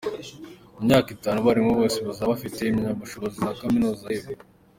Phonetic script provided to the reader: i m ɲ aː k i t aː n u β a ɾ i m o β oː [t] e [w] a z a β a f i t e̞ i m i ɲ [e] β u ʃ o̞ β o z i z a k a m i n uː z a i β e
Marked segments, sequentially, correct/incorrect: incorrect, incorrect, incorrect

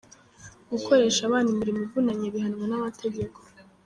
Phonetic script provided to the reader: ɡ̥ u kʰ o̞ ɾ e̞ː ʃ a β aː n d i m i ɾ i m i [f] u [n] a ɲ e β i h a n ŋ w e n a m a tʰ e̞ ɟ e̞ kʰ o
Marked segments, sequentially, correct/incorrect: incorrect, correct

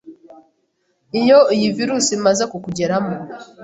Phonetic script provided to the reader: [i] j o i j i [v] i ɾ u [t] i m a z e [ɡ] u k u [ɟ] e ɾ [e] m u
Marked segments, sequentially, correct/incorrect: correct, correct, incorrect, incorrect, correct, incorrect

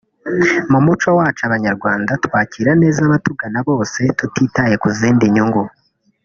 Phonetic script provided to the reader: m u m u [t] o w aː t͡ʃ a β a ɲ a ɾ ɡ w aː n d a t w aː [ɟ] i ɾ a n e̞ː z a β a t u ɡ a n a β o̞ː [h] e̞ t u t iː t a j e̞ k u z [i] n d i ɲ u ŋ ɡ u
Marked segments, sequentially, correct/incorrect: incorrect, incorrect, incorrect, incorrect

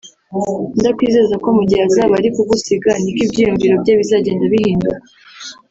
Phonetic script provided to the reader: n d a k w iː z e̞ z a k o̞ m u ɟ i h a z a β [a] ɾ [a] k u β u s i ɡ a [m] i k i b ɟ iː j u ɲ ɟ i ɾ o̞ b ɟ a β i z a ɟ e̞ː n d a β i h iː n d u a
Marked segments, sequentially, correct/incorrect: correct, incorrect, incorrect

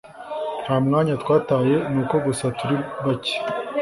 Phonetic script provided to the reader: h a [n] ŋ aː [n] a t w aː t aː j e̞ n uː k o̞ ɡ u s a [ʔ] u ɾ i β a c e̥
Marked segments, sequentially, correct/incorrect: incorrect, incorrect, incorrect

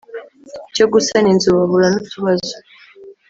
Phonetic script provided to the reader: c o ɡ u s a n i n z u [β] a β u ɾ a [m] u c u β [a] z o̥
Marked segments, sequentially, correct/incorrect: correct, incorrect, correct

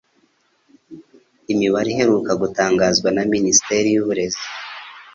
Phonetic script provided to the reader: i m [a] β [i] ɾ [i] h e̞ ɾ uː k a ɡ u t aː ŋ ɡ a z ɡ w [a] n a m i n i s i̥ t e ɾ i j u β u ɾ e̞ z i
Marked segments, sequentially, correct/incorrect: incorrect, incorrect, correct, correct

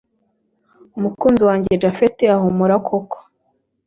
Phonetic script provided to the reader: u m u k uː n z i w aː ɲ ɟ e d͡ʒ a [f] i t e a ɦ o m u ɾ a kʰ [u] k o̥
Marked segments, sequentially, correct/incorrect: correct, incorrect

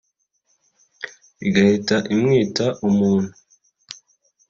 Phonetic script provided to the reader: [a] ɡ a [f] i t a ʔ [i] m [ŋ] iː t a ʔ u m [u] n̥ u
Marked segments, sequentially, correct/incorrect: incorrect, incorrect, correct, correct, incorrect

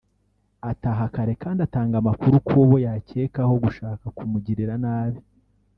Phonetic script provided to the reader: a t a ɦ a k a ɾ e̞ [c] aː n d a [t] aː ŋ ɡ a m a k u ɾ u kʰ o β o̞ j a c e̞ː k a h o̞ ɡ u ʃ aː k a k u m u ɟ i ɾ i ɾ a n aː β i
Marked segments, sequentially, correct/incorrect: incorrect, correct

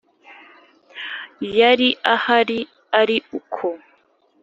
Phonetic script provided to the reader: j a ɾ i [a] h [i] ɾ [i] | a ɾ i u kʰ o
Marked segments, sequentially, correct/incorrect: correct, incorrect, correct

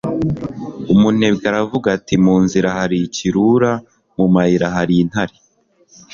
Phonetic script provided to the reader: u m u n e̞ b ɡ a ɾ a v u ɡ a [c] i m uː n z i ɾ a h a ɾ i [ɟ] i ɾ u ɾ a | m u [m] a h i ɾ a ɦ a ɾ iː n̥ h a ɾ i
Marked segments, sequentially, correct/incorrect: incorrect, incorrect, correct

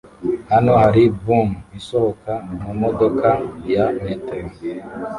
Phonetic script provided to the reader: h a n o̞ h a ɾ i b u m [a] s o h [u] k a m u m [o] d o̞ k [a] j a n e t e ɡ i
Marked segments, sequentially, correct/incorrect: incorrect, incorrect, correct, correct

